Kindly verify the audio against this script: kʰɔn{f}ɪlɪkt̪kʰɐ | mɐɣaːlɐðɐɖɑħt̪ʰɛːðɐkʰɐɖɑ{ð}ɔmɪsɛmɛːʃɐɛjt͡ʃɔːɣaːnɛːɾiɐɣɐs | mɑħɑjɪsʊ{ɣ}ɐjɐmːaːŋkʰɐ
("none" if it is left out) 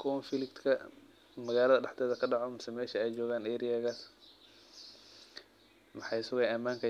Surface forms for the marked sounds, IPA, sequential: f, ʕ, ɣ

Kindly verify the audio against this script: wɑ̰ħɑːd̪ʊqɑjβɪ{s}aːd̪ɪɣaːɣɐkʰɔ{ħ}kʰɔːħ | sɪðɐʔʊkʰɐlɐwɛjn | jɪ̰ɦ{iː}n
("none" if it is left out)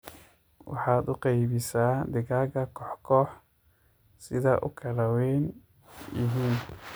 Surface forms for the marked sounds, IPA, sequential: s, ħ, iː

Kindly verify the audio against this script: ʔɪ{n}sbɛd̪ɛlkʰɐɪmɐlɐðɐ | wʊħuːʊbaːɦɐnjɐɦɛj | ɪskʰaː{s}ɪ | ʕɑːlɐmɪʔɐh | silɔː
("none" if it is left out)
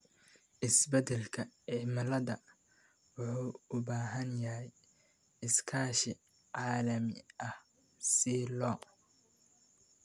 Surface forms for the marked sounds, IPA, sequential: none, ʃ

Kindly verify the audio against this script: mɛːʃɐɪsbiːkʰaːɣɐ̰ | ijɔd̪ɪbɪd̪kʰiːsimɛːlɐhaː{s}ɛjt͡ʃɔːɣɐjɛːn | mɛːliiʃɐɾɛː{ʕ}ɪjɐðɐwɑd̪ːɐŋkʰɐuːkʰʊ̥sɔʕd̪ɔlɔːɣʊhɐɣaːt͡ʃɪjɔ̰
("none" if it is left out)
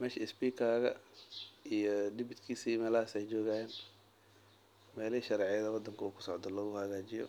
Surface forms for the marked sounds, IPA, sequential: s, ʕ

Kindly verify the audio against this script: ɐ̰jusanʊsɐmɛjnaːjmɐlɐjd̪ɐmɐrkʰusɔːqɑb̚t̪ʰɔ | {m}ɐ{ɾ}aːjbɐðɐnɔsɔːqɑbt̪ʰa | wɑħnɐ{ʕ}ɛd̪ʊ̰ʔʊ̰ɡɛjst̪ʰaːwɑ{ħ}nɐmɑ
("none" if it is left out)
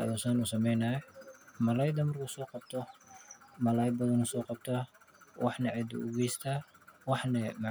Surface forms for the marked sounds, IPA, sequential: m, l, ʕ, ħ

